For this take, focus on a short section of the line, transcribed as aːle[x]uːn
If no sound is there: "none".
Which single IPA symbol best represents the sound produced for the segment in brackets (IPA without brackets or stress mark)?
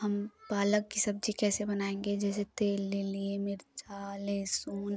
s